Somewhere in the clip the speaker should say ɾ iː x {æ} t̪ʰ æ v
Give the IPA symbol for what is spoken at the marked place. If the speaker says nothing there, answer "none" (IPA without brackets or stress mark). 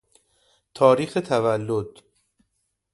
e